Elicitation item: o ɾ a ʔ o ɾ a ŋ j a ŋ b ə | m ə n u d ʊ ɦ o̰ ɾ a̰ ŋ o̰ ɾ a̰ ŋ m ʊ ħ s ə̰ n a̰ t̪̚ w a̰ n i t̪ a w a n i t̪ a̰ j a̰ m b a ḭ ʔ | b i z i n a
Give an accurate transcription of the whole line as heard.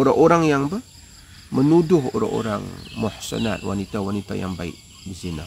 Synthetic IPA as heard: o ɾ a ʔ o ɾ a ŋ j a ŋ b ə | m ə n u d ʊ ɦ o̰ ɾ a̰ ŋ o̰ ɾ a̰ ŋ m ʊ ħ s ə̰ n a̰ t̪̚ w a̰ n i t̪ a w a n i t̪ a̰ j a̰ ŋ b a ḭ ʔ | b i z i n a